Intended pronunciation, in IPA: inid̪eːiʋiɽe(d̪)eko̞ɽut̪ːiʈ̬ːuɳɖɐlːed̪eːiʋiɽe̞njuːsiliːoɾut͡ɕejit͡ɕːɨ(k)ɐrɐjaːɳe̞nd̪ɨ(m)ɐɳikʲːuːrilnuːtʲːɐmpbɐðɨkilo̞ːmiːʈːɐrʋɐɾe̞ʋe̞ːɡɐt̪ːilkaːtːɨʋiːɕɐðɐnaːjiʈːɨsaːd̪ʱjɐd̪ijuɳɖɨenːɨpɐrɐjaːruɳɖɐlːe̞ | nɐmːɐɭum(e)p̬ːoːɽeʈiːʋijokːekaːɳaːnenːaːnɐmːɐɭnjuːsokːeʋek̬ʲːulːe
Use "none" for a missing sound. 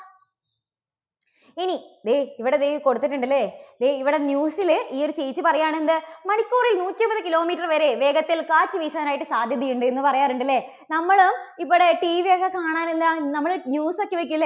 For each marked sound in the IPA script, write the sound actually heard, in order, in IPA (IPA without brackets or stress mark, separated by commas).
d̪, p, m, i